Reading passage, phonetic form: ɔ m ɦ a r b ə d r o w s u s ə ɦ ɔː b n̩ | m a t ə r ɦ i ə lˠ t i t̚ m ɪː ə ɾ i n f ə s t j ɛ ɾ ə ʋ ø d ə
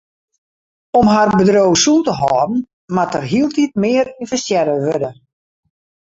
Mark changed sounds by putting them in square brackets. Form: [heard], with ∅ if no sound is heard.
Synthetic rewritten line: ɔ m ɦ a r b ə d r o w s u [t] ə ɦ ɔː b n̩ | m a t ə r ɦ i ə lˠ t i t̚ m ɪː ə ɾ i n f ə s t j ɛ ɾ ə ʋ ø d ə